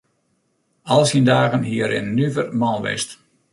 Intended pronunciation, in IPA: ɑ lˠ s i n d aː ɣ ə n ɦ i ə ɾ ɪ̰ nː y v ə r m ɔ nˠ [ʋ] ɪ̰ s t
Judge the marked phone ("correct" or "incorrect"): correct